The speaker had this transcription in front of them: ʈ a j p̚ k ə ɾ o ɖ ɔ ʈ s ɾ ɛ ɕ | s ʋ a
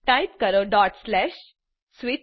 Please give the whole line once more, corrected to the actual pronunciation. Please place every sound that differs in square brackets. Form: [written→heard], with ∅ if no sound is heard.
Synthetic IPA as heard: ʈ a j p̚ k ə ɾ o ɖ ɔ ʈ s [ɾ→l] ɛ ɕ | s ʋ [a→i]